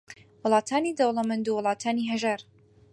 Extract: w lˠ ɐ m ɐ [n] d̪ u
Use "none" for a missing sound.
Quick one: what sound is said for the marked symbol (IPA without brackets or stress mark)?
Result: n